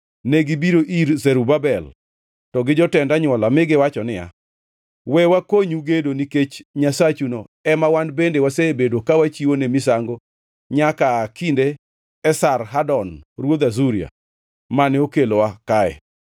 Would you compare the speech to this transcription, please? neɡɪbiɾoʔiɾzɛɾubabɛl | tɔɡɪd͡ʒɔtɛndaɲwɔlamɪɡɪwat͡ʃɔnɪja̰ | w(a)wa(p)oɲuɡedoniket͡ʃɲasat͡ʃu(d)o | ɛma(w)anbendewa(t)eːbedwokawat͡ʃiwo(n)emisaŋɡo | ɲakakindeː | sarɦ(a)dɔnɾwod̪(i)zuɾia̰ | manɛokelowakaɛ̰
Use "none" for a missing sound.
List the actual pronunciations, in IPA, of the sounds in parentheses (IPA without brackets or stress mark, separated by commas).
ɛ, k, n, w, s, n, a, a